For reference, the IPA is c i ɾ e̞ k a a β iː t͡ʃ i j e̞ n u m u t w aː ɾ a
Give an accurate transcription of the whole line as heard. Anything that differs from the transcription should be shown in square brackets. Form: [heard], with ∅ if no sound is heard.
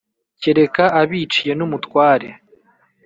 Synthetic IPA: c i ɾ e̞ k a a β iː t͡ʃ i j e̞ n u m u t w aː ɾ [e]